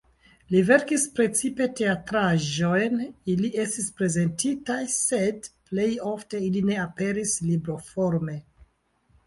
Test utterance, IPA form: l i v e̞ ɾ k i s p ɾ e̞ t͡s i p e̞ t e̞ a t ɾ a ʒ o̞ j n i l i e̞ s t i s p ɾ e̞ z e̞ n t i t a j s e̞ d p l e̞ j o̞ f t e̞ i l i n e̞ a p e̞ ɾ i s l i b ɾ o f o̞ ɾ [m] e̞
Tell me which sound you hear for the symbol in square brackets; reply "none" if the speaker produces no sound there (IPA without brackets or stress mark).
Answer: m